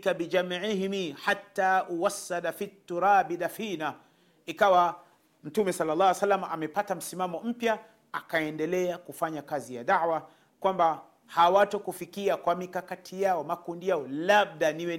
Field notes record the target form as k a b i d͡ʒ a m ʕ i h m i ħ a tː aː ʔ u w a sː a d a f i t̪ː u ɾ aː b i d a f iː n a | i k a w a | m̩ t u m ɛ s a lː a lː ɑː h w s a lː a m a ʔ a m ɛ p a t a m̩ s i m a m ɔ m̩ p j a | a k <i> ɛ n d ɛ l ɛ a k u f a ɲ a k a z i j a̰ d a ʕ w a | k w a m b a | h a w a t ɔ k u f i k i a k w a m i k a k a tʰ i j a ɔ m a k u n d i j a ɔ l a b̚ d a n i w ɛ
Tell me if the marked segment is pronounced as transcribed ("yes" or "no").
no